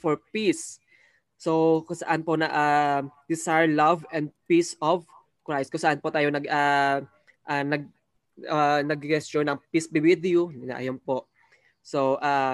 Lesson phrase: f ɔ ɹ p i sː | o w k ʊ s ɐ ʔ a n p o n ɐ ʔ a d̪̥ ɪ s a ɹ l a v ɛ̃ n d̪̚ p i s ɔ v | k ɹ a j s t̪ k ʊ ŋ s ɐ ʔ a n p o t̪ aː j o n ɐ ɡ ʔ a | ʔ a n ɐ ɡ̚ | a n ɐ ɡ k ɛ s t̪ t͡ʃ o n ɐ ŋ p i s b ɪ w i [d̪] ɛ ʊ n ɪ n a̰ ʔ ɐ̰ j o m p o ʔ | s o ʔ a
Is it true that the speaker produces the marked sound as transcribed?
yes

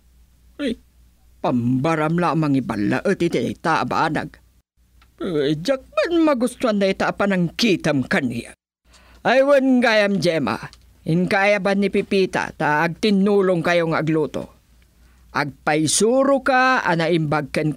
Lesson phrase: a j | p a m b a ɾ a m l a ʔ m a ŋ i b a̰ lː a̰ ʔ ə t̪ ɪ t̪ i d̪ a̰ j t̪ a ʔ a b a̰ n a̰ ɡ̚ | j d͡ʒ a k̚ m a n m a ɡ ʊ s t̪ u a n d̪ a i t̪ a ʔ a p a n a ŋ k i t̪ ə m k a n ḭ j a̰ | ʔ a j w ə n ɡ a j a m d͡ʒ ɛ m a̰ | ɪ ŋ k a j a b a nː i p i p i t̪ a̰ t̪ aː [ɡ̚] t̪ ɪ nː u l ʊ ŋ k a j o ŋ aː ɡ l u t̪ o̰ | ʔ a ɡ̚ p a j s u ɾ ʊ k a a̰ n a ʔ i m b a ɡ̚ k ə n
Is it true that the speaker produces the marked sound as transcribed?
yes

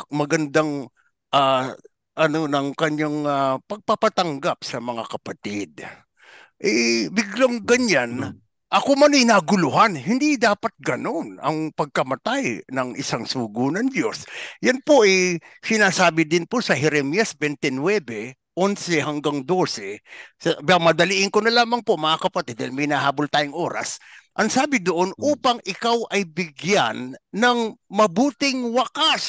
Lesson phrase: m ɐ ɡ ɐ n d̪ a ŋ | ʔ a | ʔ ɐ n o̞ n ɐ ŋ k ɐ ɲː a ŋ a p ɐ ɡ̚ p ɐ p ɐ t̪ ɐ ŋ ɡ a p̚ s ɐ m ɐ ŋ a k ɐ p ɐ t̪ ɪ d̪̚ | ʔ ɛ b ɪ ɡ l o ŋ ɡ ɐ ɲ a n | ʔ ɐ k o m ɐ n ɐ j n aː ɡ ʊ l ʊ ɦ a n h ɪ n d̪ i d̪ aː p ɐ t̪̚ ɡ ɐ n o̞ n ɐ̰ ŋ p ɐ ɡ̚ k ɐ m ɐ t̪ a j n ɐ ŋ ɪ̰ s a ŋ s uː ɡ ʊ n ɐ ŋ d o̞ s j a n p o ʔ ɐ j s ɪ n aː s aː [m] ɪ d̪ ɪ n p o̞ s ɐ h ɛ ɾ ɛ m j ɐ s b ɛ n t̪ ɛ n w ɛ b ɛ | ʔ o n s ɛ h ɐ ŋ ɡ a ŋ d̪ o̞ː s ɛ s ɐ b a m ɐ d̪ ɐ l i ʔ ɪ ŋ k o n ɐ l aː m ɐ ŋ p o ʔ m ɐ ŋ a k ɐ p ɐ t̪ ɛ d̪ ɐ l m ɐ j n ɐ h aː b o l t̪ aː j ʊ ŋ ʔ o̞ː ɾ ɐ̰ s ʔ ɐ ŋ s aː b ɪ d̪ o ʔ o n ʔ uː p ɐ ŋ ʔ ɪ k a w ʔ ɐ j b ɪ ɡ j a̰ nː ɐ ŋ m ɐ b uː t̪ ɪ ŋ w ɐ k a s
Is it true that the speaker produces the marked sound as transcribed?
no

